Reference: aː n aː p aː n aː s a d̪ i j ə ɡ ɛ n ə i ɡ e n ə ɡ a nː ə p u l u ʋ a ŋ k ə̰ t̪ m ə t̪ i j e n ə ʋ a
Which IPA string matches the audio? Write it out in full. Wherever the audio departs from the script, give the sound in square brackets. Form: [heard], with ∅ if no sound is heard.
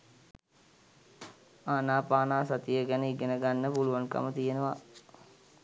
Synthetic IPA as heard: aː n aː p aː n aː s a [t̪] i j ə ɡ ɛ n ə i ɡ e n ə ɡ a nː ə p u l u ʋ a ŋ k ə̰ [∅] m ə t̪ i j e n ə ʋ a